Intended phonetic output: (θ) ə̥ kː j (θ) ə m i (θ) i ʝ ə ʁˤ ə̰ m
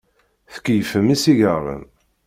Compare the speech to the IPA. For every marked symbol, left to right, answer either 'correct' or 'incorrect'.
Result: correct, incorrect, incorrect

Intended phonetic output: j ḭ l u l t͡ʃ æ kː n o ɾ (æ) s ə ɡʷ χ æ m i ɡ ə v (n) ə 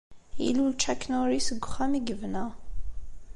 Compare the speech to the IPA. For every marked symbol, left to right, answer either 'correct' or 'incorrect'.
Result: incorrect, correct

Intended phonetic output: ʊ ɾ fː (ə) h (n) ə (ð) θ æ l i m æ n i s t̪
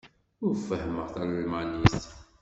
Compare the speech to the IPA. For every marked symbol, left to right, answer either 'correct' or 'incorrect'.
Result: correct, incorrect, incorrect

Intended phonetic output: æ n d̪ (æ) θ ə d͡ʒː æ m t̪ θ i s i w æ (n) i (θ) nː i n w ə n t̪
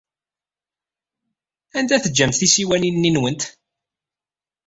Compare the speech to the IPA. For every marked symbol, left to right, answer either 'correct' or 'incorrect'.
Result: correct, correct, incorrect

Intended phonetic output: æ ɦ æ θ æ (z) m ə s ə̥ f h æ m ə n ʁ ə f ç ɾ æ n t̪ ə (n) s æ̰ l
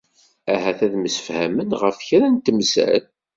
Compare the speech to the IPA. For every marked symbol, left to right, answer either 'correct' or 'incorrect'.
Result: incorrect, incorrect

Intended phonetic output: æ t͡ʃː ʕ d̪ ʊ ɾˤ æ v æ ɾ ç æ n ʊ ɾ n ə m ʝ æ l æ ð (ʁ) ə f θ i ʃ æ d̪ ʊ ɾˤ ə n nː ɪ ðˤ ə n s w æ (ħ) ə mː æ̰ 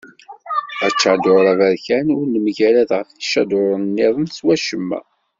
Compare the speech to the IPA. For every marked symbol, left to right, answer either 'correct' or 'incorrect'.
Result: correct, incorrect

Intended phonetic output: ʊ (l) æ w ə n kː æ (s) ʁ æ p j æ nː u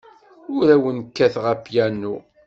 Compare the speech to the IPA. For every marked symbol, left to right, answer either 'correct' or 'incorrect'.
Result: incorrect, incorrect

